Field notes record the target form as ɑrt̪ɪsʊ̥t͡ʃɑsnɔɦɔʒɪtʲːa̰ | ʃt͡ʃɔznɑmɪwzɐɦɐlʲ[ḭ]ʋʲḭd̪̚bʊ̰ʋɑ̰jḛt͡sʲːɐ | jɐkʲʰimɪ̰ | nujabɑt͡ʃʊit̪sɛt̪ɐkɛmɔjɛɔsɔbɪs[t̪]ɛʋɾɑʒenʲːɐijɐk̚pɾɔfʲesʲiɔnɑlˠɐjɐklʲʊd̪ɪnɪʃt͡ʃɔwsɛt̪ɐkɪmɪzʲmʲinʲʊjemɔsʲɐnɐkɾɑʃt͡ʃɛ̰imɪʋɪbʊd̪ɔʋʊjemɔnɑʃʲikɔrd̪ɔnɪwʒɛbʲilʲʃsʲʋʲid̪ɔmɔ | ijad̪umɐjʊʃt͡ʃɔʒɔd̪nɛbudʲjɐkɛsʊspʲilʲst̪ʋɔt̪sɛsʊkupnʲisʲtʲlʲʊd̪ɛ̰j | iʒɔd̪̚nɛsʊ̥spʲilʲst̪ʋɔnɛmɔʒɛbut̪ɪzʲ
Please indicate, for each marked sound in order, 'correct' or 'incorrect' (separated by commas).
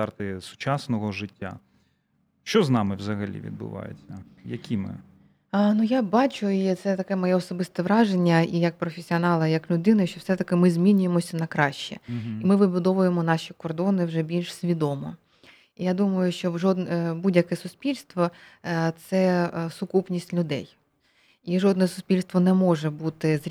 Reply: correct, correct